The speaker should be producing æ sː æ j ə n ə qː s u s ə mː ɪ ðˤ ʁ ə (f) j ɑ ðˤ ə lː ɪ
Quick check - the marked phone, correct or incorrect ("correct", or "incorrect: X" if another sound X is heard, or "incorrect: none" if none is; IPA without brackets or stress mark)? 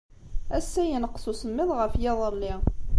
correct